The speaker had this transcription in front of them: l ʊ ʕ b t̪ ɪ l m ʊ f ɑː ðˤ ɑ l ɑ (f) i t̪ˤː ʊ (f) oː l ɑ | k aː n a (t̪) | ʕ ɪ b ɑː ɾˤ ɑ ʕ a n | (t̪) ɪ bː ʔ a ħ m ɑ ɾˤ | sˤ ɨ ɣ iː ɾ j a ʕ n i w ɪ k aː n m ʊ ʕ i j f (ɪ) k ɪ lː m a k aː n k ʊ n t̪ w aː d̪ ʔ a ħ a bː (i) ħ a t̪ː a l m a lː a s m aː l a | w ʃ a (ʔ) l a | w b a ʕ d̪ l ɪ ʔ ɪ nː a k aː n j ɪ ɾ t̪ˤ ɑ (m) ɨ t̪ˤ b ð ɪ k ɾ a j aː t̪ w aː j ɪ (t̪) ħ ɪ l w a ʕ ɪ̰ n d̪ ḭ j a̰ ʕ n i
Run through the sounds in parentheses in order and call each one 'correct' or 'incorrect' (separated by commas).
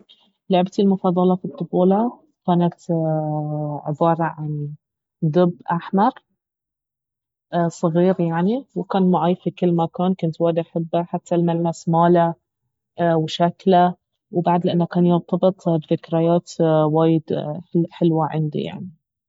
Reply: correct, correct, correct, incorrect, incorrect, incorrect, incorrect, incorrect, incorrect